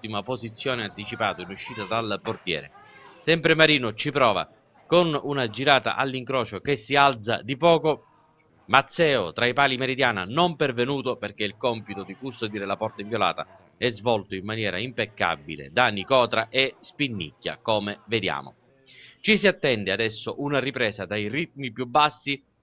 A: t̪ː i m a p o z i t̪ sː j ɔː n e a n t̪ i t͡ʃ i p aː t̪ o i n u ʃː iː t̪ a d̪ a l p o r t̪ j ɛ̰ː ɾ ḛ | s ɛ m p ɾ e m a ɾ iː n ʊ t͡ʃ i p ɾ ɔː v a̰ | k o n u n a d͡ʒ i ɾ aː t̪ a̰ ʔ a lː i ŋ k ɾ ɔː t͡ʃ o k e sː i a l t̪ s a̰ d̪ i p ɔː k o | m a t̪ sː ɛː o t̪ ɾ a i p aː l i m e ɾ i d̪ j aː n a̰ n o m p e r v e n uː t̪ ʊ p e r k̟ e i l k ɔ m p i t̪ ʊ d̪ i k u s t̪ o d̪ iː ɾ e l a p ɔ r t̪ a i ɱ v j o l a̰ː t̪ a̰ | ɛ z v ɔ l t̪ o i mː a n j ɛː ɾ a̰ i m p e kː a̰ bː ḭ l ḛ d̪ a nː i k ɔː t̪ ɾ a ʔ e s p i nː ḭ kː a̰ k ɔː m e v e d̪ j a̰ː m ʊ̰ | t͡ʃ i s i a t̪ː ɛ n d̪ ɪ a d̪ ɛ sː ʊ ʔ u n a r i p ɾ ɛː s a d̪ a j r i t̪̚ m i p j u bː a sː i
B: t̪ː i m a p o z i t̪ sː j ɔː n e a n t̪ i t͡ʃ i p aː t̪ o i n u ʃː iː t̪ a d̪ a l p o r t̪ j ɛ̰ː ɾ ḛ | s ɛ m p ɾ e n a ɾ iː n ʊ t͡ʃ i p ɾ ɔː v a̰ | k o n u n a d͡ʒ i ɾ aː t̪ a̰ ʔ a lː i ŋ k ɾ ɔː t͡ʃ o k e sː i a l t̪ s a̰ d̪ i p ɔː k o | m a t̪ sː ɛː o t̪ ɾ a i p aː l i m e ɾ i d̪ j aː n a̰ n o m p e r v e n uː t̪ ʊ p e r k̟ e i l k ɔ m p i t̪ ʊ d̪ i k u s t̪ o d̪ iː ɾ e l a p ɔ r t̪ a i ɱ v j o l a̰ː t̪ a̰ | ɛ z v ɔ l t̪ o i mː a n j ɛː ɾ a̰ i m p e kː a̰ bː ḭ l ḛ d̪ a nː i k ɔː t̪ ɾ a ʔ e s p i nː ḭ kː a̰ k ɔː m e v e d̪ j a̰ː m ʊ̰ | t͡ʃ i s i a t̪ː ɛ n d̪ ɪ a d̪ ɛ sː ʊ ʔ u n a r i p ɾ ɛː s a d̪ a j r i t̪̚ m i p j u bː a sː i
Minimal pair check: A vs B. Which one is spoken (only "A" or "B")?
A